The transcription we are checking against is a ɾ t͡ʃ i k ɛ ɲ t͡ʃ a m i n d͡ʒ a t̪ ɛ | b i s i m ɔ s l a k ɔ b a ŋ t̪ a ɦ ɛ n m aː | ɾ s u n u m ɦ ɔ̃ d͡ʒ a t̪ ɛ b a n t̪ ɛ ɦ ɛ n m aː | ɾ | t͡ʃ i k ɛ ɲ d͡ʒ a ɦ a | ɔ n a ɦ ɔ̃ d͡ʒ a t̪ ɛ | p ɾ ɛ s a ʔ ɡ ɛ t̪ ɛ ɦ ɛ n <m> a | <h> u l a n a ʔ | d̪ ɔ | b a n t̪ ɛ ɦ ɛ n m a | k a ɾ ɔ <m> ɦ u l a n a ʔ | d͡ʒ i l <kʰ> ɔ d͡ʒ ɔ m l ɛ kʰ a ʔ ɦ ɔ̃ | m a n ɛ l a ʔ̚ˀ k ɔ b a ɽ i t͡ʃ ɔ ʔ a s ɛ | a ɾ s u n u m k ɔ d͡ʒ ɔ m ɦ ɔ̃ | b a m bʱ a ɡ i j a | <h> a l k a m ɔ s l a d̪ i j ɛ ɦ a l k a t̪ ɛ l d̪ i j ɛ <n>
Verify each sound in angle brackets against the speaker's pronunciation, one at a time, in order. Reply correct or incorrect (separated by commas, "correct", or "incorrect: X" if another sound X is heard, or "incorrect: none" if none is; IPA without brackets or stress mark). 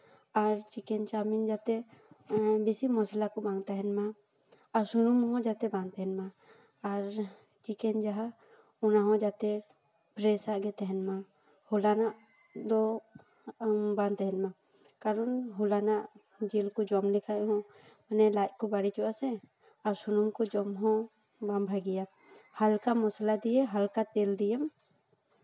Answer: correct, correct, incorrect: n, incorrect: k, correct, incorrect: m